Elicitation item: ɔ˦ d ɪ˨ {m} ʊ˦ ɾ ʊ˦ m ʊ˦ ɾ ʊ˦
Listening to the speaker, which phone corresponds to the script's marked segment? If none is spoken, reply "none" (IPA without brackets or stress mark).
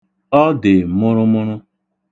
m